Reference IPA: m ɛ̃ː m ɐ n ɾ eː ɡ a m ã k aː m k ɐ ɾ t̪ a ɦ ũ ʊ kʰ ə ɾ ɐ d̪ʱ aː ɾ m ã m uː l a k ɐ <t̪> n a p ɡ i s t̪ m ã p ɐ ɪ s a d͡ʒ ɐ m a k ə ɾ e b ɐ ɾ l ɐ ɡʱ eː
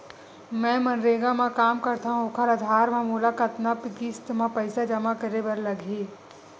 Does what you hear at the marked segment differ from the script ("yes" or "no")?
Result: no